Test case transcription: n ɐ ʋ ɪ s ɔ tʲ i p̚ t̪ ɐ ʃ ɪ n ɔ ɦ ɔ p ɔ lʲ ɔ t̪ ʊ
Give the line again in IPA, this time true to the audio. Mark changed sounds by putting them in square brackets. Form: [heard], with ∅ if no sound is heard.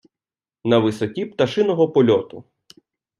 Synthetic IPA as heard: n ɐ ʋ ɪ s ɔ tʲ i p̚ t̪ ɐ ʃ ɪ n ɔ ɦ ɔ p ɔ lʲ ɔ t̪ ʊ